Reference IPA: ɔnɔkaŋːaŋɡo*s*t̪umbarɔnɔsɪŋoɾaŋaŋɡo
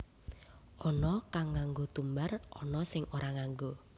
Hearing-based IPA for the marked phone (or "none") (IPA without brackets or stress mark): none